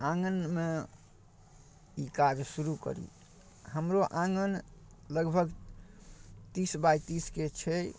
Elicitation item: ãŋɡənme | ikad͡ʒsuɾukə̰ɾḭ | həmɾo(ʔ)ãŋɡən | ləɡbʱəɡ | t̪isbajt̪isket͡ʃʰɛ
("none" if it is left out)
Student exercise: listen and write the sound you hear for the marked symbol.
ʔ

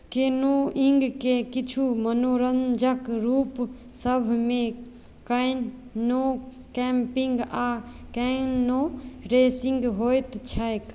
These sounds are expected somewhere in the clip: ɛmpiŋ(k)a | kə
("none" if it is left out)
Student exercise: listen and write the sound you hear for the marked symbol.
ɡ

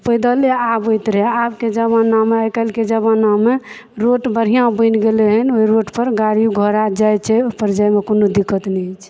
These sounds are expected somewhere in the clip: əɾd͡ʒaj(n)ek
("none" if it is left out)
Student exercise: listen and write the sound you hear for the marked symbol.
m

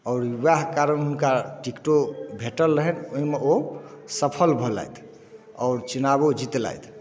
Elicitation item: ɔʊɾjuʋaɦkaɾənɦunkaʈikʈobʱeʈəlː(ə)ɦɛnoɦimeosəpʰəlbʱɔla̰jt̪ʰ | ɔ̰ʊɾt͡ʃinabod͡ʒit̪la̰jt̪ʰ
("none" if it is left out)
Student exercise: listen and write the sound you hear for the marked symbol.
ə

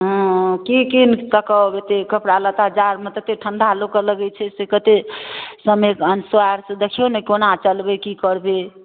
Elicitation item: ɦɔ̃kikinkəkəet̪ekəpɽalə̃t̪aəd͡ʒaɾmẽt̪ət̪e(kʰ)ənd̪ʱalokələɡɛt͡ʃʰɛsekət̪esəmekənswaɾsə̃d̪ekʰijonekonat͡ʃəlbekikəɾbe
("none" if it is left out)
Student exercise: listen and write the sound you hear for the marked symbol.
ʈʰ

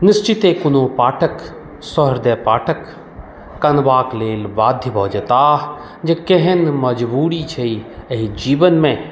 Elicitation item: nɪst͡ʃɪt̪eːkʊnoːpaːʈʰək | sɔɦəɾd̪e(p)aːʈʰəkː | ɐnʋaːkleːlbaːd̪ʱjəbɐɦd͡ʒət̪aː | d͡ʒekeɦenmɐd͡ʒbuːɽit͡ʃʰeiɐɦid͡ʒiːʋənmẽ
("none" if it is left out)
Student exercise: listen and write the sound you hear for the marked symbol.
p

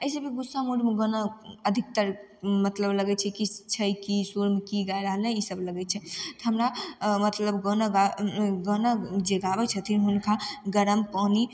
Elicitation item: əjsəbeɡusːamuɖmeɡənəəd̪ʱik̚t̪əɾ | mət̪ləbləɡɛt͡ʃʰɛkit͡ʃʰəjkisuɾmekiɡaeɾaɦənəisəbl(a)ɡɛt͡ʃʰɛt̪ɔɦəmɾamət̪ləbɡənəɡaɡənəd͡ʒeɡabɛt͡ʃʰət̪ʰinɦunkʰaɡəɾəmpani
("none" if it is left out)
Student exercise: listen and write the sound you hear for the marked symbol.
ə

